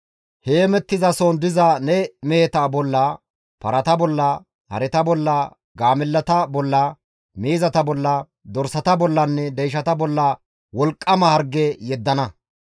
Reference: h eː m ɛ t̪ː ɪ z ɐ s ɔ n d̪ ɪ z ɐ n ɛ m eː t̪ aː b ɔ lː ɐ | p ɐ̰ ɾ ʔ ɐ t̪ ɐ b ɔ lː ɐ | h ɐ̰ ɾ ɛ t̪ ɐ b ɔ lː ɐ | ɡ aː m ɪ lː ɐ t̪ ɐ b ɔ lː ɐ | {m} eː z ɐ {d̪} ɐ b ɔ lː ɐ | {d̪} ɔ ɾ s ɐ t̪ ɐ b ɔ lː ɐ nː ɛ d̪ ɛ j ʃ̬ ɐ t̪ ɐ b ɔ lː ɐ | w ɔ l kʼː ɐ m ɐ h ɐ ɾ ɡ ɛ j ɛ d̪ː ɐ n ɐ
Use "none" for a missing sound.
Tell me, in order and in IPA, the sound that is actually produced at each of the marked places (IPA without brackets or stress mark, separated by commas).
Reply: m, t̪, d̪